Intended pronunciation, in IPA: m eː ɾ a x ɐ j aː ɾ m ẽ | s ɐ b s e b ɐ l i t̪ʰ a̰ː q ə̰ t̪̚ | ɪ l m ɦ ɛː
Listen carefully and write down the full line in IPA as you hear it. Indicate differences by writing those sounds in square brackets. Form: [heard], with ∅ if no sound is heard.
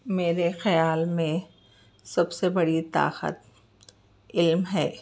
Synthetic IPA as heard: m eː ɾ [e] x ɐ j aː [l] m ẽ | s ɐ b s e b ɐ [ɽ] i [t̪] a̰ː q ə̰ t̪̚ | ɪ l m ɦ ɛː